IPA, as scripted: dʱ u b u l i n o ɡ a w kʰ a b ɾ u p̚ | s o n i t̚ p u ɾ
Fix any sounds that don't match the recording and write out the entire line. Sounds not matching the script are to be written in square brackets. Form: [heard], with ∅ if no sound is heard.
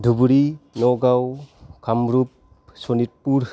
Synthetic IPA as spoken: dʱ u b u [ɾ] i n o ɡ a w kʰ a [m] ɾ u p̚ | s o n i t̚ p u ɾ